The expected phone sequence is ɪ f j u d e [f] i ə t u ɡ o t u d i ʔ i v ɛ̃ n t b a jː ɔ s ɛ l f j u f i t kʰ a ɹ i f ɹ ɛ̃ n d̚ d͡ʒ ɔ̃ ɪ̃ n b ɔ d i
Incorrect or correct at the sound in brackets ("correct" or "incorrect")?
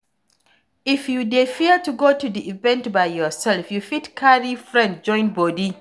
correct